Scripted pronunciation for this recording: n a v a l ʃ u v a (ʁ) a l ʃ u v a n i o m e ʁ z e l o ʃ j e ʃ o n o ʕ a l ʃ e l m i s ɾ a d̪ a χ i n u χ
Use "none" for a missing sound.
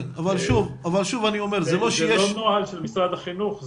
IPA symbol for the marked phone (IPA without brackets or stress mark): v